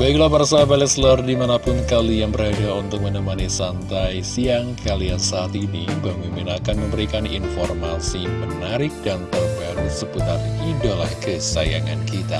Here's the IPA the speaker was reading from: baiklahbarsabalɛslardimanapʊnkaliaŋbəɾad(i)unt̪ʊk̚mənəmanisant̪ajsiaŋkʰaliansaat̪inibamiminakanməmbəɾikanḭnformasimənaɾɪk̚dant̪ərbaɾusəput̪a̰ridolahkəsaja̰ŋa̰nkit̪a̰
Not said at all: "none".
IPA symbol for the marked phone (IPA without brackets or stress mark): a